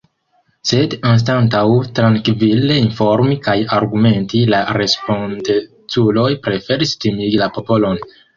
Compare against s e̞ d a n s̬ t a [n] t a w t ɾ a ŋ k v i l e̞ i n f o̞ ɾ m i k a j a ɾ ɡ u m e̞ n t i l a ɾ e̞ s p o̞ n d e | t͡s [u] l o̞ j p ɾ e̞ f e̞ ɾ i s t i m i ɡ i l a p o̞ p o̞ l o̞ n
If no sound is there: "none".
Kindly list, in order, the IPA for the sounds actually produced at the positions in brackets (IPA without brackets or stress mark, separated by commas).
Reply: n, u